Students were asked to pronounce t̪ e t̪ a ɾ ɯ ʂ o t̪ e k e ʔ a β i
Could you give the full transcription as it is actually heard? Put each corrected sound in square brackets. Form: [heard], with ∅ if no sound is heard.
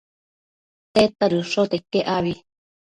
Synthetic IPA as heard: t̪ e t̪ a ɾ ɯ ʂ o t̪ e k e ʔ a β i